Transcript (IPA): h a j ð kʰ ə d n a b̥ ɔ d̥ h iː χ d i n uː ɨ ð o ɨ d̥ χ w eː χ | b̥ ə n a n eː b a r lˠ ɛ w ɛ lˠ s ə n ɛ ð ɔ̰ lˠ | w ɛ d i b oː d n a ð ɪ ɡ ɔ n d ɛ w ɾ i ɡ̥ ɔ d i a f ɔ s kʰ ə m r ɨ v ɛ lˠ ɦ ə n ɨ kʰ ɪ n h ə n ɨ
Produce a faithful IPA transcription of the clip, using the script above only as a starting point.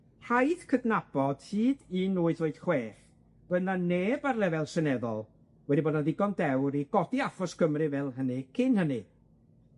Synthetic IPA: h a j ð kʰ ə d n a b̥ ɔ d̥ h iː d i n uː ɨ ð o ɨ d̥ χ w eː χ | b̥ ə n a n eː b a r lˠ ɛ v ɛ lˠ s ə n ɛ ð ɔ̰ lˠ | w ɛ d i b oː d n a ð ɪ ɡ ɔ n d ɛ w ɾ i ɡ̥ ɔ d i a f ɔ s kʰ ə m r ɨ v ɛ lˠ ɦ ə n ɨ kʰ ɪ n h ə n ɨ